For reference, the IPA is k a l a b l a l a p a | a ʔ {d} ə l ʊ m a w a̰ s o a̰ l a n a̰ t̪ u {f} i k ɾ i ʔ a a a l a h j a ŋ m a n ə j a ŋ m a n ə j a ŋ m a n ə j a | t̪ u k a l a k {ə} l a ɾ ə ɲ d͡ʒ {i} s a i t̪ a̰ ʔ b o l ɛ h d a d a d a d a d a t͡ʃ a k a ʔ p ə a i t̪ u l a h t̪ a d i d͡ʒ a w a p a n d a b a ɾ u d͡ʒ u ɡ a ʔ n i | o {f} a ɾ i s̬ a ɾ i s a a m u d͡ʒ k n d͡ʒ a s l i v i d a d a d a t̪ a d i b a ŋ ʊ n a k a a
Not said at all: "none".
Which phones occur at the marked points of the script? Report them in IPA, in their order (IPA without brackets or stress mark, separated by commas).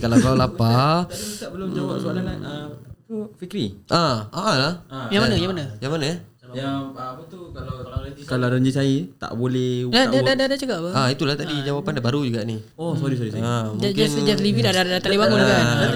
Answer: b, f, a, i, s